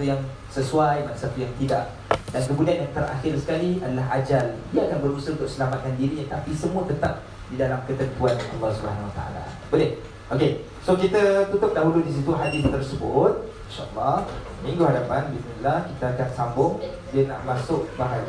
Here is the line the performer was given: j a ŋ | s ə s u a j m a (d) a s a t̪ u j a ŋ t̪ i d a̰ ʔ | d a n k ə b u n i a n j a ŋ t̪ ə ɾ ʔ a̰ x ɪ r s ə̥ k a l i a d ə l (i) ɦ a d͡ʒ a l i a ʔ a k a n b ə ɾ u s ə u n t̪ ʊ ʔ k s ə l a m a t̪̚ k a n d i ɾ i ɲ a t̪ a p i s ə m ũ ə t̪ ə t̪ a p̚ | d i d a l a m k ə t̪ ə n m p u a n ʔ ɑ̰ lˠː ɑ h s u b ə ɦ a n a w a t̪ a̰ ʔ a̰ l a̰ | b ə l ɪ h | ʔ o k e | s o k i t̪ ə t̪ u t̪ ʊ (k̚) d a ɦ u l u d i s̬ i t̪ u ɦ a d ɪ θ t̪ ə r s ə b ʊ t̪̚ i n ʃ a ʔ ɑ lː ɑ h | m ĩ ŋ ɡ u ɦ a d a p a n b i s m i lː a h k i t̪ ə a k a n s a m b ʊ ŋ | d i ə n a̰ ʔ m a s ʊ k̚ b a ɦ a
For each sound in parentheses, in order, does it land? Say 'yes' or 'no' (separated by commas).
no, no, no